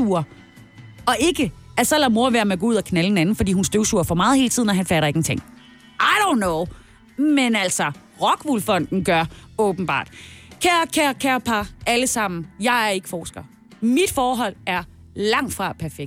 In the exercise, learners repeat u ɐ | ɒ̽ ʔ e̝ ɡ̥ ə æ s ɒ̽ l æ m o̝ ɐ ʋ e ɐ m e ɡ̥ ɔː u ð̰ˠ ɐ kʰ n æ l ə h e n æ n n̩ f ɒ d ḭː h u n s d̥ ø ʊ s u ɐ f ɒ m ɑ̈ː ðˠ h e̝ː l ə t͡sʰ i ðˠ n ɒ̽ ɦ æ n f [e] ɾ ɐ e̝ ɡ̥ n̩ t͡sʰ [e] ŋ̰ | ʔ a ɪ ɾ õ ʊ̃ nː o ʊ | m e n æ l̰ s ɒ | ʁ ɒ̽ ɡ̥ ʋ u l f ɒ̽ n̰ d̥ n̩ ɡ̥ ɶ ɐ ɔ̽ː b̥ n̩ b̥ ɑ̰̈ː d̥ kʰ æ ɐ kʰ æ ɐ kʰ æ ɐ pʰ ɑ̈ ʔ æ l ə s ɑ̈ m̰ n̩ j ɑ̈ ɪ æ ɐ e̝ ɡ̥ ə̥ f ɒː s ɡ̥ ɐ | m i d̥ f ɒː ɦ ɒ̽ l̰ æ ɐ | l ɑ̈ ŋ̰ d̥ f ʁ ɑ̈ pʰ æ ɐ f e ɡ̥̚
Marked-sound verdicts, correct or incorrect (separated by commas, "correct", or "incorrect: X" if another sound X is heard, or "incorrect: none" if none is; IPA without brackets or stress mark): incorrect: æ, correct